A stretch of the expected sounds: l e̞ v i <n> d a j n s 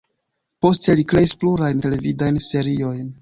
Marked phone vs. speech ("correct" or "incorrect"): incorrect